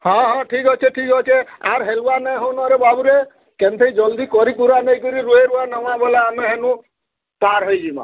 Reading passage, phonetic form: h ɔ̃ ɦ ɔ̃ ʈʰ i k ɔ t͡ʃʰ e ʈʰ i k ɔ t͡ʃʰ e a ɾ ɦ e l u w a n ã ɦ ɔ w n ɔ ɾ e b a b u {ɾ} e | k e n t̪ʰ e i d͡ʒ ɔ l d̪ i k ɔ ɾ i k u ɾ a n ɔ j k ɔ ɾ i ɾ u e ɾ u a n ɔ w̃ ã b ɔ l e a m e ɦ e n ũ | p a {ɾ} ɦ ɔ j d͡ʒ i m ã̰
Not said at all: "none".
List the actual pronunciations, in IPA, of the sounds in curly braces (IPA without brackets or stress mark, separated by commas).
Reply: ɾ, ɾ